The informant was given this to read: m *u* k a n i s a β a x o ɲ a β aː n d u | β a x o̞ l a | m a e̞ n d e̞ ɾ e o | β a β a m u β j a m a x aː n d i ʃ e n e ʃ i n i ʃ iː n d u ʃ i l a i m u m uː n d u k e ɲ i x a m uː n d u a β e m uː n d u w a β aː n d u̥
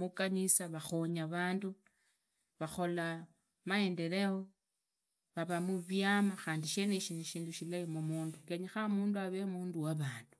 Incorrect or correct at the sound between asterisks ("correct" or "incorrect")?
correct